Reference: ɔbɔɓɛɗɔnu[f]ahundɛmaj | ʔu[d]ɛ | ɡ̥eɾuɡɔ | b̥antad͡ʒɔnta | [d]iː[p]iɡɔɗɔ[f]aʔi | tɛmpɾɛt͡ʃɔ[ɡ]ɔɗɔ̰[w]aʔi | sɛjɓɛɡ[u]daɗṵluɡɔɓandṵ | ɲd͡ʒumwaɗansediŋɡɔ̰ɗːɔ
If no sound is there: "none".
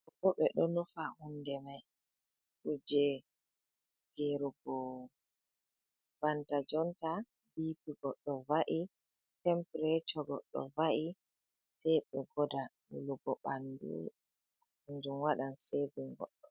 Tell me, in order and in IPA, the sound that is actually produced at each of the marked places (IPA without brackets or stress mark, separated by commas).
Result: f, d͡ʒ, b, p, v, ɡ, v, ɔ